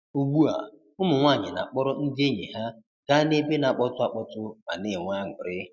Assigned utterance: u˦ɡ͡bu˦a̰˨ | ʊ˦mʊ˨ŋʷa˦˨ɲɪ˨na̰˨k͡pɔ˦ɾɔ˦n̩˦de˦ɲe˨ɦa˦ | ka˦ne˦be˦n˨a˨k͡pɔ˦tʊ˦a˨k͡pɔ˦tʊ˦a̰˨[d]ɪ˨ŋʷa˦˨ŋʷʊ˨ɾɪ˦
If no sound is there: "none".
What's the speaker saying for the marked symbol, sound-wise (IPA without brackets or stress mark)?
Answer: n